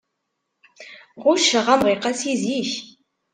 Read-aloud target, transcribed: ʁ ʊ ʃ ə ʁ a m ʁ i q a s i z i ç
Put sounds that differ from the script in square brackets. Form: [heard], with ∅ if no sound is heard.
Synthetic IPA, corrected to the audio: ʁ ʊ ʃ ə ʁ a m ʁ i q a s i z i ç